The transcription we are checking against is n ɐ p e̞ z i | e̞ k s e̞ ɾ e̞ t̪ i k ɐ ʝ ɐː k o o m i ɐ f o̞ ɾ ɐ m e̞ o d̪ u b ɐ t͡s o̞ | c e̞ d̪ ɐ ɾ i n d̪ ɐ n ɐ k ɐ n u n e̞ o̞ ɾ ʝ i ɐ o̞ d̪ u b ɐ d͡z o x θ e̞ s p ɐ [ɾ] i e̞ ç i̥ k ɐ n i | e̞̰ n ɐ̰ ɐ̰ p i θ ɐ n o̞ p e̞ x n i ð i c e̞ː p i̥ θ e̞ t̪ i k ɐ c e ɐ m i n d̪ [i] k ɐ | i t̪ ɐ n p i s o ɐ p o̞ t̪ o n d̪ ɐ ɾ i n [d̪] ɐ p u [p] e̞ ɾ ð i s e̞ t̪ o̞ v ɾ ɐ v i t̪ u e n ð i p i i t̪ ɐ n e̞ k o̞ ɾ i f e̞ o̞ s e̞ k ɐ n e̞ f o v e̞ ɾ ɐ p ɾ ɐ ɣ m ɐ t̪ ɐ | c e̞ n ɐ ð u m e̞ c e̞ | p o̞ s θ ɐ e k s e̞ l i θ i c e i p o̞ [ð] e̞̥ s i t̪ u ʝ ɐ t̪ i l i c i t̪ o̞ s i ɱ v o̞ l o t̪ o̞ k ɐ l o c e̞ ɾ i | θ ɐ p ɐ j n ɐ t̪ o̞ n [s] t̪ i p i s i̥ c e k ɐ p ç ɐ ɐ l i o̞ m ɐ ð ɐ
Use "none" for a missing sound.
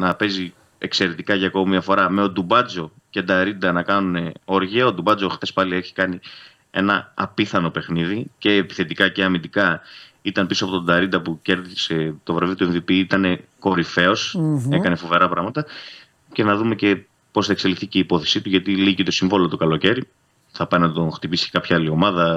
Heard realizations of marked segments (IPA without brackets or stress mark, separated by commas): l, i, d̪, c, θ, x